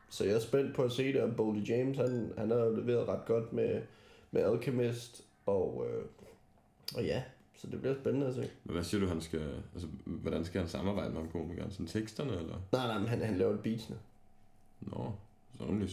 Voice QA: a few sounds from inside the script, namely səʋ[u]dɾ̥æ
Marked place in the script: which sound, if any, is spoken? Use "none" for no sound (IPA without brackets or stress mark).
ɒ